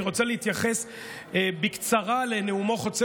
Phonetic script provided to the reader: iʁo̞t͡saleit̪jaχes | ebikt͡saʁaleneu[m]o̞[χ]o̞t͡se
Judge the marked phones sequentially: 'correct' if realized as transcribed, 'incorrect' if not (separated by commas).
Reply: correct, correct